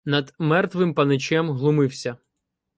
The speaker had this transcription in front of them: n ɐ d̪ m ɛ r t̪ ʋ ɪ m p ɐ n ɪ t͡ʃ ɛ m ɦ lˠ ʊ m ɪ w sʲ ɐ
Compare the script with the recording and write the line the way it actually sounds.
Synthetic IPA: n ɐ d̪ m ɛ r t̪ ʋ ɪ m p ɐ n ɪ t͡ʃ ɛ m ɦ lˠ ʊ m ɪ w sʲ ɐ